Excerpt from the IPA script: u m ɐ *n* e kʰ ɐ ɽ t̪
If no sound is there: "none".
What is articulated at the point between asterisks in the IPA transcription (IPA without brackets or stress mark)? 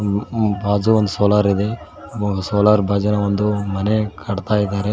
n